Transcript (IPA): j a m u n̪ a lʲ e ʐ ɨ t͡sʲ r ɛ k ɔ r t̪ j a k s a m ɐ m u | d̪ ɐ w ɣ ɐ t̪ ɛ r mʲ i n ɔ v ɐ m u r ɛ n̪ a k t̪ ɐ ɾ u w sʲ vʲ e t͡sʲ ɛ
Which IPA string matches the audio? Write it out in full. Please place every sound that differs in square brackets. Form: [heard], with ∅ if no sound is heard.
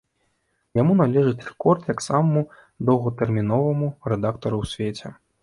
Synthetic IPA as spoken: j a m u n̪ a lʲ [ɛ] ʐ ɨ t͡sʲ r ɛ k ɔ r t̪ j a k s a m ɐ m u | d̪ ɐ w ɣ ɐ t̪ ɛ r mʲ i n ɔ v ɐ m u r ɛ [d̪] a k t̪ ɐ ɾ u w sʲ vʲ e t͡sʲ ɛ